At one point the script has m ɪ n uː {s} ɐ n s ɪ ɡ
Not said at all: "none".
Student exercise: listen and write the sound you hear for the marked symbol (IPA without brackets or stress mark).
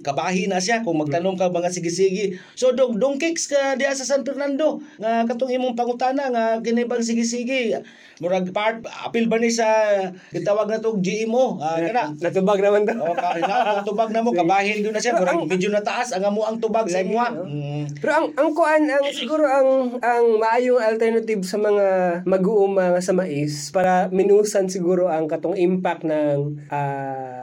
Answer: s